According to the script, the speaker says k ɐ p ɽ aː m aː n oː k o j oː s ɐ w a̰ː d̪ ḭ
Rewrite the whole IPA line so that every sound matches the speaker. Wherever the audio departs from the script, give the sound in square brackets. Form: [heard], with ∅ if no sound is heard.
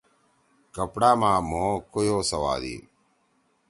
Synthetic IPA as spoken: k ɐ p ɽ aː m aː [m] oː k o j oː s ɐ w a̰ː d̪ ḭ